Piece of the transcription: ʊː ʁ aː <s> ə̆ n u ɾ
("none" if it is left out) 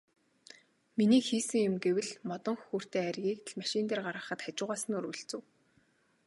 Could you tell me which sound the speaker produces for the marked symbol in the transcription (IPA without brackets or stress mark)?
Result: s